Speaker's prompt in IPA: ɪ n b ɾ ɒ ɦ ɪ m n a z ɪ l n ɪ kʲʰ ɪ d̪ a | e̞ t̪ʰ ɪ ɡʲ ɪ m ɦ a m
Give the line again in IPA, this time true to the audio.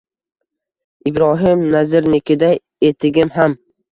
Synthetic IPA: ɪ b ɾ ɒ ɦ ɪ m n a z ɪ ɾ n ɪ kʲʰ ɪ d̪ a | e̞ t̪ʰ ɪ ɡʲ ɪ m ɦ a m